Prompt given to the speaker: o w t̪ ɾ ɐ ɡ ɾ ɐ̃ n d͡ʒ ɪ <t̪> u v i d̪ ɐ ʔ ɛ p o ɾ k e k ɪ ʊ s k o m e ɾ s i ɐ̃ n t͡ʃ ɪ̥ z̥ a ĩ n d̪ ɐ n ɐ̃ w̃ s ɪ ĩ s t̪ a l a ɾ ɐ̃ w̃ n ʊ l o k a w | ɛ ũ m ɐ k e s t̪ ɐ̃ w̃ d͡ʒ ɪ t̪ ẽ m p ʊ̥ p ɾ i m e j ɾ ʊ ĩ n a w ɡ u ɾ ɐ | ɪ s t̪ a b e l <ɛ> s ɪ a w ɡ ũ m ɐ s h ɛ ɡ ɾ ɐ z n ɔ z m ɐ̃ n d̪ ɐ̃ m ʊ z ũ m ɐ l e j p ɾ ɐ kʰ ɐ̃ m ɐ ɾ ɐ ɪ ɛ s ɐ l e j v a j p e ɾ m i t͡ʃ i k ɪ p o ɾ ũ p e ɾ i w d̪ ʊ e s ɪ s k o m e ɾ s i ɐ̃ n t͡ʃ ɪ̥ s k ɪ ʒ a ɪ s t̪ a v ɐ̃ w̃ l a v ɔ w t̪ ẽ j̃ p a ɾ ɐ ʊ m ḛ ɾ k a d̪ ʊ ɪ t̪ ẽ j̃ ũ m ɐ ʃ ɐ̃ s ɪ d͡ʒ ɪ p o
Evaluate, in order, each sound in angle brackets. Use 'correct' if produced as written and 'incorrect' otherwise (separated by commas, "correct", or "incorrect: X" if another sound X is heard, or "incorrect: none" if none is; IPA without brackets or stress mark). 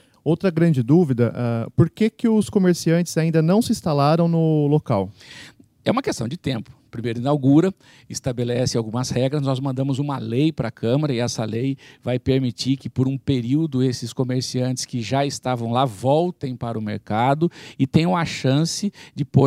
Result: incorrect: d̪, correct